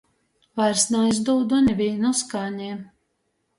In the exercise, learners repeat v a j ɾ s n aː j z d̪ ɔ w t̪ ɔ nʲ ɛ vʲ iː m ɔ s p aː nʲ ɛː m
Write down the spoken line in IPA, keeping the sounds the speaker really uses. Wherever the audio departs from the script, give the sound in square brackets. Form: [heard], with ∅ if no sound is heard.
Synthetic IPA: v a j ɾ s n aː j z d̪ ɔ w [d̪] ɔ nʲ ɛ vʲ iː [n] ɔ s [k] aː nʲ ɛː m